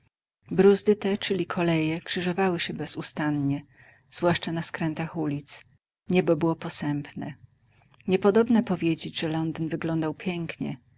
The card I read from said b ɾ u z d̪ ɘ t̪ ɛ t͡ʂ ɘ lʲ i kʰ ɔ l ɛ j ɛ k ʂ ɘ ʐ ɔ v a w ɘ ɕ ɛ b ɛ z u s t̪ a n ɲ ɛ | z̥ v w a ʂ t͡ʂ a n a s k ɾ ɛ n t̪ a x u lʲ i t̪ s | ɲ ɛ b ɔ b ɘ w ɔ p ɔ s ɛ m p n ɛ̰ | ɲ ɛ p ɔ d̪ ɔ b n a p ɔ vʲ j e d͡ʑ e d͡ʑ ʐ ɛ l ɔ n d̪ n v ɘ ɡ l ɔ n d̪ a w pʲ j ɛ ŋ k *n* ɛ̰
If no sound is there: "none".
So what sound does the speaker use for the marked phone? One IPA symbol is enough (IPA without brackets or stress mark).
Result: ɲ